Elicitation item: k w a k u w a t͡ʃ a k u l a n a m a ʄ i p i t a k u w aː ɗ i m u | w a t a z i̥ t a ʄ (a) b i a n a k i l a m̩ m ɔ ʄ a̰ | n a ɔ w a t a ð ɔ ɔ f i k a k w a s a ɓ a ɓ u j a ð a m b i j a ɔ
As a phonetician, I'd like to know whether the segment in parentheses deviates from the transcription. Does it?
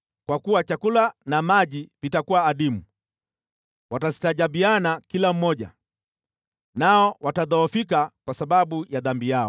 no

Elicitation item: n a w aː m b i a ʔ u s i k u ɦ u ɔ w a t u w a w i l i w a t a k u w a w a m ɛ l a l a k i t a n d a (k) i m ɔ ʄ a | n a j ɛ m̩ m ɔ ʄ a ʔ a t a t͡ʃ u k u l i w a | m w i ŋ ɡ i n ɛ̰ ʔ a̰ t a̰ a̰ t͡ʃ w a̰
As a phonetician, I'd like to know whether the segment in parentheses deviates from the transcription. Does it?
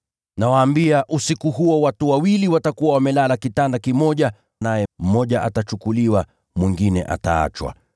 no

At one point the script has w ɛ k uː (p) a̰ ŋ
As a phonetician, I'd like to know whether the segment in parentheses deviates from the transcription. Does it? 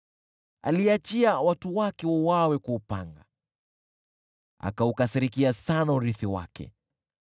no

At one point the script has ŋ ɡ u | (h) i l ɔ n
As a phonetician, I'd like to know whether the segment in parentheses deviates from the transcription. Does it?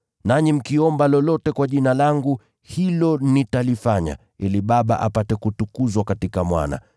no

